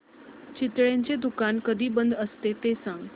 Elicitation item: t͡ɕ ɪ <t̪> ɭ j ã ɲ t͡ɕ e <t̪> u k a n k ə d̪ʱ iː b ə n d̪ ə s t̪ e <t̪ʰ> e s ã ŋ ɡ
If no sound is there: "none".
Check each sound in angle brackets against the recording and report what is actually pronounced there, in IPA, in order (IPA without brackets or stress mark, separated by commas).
t̪, d̪, t̪